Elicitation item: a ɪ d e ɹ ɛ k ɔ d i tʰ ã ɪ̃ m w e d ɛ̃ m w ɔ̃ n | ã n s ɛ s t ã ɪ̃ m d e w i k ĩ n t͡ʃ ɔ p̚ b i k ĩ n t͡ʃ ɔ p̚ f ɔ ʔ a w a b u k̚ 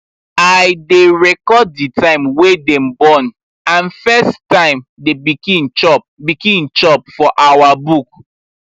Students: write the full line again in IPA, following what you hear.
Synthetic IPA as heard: a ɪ d e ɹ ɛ k ɔ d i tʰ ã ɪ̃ m w e d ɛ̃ m b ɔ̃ n | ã n f ɛ s t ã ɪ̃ m d e b i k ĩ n t͡ʃ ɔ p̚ b i k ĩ n t͡ʃ ɔ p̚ f ɔ ʔ a w a b u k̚